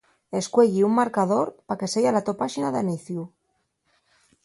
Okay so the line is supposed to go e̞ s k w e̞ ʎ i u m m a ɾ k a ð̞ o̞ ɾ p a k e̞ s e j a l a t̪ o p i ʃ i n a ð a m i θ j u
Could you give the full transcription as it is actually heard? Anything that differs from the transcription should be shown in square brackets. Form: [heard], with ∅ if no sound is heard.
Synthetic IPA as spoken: e̞ s k w e̞ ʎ i u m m a ɾ k a ð̞ o̞ ɾ p a k e̞ s e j a l a t̪ o p [a] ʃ i n a ð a [n] i θ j u